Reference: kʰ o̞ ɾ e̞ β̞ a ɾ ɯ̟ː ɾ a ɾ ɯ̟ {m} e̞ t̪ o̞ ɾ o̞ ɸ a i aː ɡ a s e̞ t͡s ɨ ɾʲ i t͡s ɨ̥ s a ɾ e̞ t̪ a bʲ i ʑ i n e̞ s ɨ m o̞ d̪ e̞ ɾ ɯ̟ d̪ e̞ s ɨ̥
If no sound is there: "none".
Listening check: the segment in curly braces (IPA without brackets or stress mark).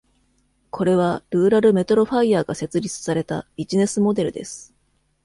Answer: m